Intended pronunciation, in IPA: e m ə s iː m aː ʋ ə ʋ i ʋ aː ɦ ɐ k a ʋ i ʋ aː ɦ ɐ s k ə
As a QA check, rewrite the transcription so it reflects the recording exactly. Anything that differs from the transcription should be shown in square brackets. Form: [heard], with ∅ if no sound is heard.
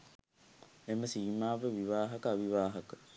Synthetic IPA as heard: e m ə s iː m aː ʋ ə ʋ i ʋ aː ɦ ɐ k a ʋ i ʋ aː ɦ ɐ [∅] k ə